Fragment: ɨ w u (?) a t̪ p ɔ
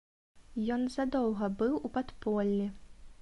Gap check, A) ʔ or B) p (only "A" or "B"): B